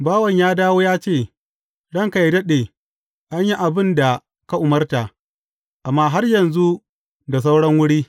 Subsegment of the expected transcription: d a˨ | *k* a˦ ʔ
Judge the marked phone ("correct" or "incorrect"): correct